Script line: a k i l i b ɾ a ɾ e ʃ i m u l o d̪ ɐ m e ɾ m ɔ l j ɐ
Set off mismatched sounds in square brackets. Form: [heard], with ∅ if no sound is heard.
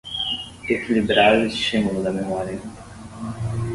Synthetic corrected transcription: [e] k i l i b ɾ a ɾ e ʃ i m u l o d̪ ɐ m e [∅] m ɔ [ɾ] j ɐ